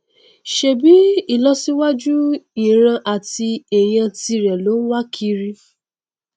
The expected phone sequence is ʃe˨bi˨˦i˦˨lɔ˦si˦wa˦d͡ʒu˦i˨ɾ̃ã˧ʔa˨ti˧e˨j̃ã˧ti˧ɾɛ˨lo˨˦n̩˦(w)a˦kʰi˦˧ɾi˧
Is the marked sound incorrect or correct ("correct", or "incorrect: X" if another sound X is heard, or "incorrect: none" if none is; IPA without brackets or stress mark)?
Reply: correct